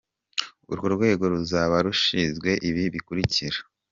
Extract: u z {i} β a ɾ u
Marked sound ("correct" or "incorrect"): incorrect